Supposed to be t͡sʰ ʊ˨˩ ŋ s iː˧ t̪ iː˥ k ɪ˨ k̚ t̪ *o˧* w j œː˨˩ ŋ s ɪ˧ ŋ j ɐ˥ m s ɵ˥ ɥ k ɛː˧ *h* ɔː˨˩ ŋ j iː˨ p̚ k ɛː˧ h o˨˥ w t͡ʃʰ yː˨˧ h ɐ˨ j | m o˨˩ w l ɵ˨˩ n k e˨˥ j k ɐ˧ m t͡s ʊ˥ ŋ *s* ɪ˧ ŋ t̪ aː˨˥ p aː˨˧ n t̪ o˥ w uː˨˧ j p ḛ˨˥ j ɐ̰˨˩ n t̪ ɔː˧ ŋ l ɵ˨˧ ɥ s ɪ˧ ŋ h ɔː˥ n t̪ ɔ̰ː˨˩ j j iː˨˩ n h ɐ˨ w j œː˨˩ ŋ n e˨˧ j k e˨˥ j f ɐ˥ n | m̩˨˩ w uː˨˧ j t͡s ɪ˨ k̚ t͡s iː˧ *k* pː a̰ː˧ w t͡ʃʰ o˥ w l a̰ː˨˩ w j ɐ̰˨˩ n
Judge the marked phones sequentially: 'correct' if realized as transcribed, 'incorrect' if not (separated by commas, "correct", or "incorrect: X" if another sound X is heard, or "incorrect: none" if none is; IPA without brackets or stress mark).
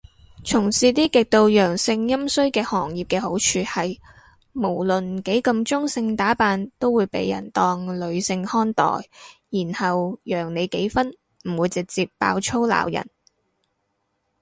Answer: correct, correct, correct, incorrect: p